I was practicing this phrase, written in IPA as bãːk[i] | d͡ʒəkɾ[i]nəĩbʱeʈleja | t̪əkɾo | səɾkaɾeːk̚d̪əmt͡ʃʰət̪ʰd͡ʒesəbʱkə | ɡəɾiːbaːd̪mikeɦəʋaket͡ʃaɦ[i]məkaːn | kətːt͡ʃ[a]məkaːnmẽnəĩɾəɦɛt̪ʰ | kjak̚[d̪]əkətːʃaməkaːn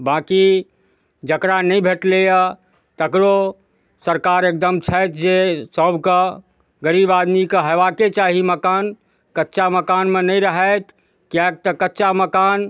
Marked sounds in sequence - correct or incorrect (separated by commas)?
correct, incorrect, correct, correct, incorrect